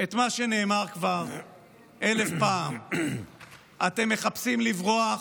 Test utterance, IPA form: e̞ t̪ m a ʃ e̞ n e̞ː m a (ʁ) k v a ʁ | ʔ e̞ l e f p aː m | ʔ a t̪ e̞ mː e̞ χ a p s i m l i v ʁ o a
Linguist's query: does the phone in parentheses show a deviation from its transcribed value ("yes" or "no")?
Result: no